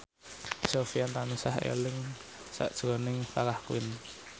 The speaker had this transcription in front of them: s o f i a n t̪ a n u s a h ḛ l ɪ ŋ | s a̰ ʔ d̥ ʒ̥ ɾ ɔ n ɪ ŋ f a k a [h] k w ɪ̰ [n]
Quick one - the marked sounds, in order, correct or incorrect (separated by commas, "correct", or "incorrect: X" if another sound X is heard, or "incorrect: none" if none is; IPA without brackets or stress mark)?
correct, correct